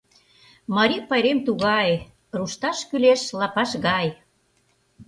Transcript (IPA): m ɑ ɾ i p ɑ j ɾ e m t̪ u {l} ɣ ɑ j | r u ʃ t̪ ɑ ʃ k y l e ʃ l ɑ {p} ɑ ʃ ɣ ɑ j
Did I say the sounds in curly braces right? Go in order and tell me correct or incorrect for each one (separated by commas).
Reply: incorrect, correct